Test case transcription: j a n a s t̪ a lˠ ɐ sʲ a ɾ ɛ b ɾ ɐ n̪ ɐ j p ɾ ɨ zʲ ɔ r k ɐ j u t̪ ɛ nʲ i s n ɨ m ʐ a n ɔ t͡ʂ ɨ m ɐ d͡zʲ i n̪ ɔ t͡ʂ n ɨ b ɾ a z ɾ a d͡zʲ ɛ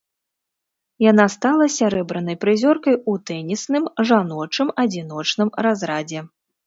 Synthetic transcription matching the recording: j a n a s t̪ a lˠ ɐ sʲ a ɾ ɛ b ɾ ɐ n̪ ɐ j p ɾ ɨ zʲ ɔ r k ɐ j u t̪ ɛ nʲ i s n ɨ m ʐ a n ɔ t͡ʂ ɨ m ɐ d͡zʲ i n̪ ɔ t͡ʂ n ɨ m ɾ a z ɾ a d͡zʲ ɛ

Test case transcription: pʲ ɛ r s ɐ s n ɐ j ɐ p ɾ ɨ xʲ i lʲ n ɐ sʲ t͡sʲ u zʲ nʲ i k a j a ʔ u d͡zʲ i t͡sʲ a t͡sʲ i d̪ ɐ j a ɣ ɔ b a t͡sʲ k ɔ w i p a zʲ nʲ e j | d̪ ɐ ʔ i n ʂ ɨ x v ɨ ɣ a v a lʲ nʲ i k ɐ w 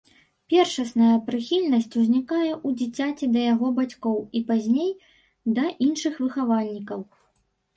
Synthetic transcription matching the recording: pʲ ɛ r ʂ ɐ s n ɐ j ɐ p ɾ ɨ xʲ i lʲ n ɐ sʲ t͡sʲ u zʲ nʲ i k a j ɛ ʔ u d͡zʲ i t͡sʲ a t͡sʲ i d̪ ɐ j a ɣ ɔ b a t͡sʲ k ɔ w i p a zʲ nʲ e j | d̪ ɐ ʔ i n ʂ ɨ x v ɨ x a v a lʲ nʲ i k ɐ w

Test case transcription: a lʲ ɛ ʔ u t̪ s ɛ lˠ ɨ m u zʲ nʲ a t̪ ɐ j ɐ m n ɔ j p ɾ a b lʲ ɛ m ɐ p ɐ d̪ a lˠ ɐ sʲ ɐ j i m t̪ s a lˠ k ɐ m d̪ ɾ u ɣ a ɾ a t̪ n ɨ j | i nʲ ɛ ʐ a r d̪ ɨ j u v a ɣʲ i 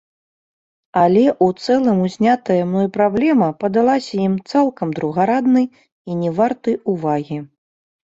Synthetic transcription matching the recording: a lʲ ɛ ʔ u t̪ s ɛ lˠ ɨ m u zʲ nʲ a t̪ ɐ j ɐ m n ɔ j p ɾ a b lʲ ɛ m ɐ p ɐ d̪ a lˠ a sʲ ɐ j i m t̪ s a lˠ k ɐ m d̪ ɾ u ɣ a ɾ a d̪ n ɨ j | i nʲ ɛ v a r t̪ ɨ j u v a ɣʲ i

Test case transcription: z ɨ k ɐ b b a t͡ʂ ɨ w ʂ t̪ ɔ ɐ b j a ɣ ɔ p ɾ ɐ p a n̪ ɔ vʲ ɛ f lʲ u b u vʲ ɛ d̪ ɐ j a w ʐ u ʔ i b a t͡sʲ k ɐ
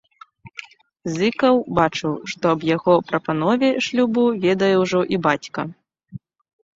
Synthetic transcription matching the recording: z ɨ k ɐ w b a t͡ʂ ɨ w ʂ t̪ ɔ ɐ b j a ɣ ɔ p ɾ ɐ p a n̪ ɔ vʲ ɛ ʂ lʲ u b u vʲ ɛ d̪ ɐ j ɛ w ʐ ɔ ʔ i b a t͡sʲ k ɐ

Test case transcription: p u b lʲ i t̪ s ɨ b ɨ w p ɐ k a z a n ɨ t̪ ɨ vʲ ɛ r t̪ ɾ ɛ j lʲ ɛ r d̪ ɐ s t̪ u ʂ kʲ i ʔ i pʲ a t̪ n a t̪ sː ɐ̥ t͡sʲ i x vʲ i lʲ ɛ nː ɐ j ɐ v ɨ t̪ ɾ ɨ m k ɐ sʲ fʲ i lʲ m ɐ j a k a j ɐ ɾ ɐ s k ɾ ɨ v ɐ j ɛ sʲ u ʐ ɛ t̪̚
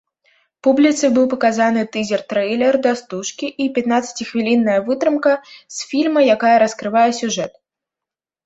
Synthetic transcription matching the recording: p u b lʲ i t̪ s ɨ b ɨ w p ɐ k a z a n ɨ t̪ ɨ zʲ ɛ r t̪ ɾ ɛ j lʲ ɛ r d̪ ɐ s t̪ u ʂ kʲ i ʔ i pʲ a t̪ n a t̪ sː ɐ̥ t͡sʲ i x vʲ i lʲ i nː ɐ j ɐ v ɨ t̪ ɾ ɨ m k ɐ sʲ fʲ i lʲ m ɐ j a k a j ɐ ɾ ɐ s k ɾ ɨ v a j ɛ sʲ u ʐ ɛ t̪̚

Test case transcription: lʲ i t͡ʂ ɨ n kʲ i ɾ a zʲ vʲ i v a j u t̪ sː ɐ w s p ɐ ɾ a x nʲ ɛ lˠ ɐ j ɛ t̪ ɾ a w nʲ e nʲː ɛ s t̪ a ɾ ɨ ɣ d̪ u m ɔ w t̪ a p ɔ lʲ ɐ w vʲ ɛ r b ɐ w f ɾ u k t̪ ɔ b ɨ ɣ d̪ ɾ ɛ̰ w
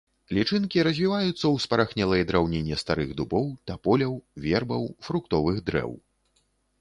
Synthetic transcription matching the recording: lʲ i t͡ʂ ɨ n kʲ i ɾ ɐ zʲ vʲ i v a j u t̪ sː ɐ w s p ɐ ɾ a x nʲ ɛ lˠ ɐ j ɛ d̪ ɾ a w nʲ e nʲː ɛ s t̪ a ɾ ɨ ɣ d̪ u b ɔ w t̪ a p ɔ lʲ ɐ w vʲ ɛ r b ɐ w f ɾ u k t̪ ɔ v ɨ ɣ d̪ ɾ ɛ̰ w

